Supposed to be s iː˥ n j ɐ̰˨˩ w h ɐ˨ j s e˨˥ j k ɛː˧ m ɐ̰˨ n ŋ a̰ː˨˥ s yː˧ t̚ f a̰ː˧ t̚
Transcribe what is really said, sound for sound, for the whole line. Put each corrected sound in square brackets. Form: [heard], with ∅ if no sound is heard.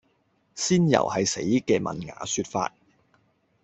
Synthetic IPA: s iː˥ n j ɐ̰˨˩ w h ɐ˨ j s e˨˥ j k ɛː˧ m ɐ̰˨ n ŋ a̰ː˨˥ s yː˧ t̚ f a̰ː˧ t̚